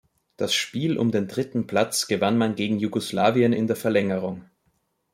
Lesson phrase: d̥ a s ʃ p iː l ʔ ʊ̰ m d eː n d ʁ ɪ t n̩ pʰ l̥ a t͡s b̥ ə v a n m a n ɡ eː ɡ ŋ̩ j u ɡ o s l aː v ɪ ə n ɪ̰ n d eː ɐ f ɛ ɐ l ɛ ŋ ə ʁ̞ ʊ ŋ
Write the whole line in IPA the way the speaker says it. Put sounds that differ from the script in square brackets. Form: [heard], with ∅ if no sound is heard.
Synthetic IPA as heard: d̥ a s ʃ p iː l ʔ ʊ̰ m d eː n d ʁ ɪ t n̩ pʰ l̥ a t͡s [ɡ̥] ə v a n m a n ɡ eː ɡ ŋ̩ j u ɡ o s l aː v [i] ə n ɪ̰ n d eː ɐ f ɛ ɐ l ɛ ŋ ə ʁ̞ ʊ ŋ